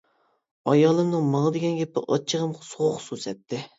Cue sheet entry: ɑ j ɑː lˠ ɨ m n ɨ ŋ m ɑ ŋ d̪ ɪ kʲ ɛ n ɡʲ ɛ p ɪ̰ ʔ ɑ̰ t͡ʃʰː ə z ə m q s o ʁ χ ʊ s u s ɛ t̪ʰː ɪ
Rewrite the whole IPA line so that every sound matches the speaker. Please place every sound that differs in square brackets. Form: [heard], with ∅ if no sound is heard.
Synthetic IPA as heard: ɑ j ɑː lˠ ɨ m n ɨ ŋ m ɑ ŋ d̪ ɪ [ɡʲ] ɛ n ɡʲ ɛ p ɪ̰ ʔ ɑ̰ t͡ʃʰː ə [ʁ] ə m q s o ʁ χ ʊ s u s ɛ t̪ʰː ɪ